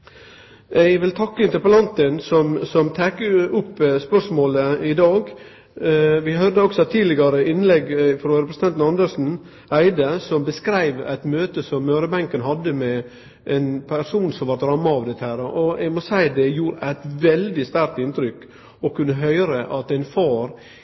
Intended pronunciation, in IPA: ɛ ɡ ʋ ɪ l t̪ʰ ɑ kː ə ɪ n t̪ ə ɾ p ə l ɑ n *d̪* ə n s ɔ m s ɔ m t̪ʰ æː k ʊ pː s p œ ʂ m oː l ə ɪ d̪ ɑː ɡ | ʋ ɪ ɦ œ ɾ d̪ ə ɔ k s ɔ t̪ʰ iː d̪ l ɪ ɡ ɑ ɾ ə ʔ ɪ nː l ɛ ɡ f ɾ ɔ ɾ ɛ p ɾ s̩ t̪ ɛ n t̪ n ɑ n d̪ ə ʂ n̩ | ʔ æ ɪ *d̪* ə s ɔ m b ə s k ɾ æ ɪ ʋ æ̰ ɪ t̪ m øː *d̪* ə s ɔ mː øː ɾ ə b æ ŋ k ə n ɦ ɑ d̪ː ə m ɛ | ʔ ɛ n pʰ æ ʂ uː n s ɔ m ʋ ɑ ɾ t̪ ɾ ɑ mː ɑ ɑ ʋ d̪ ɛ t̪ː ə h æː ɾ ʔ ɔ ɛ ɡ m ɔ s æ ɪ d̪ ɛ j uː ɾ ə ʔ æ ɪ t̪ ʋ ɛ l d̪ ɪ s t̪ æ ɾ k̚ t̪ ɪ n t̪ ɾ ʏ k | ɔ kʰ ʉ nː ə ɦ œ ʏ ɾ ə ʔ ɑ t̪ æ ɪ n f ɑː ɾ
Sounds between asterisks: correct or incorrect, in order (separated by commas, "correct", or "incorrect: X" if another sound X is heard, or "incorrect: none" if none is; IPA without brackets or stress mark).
incorrect: t̪, correct, incorrect: t̪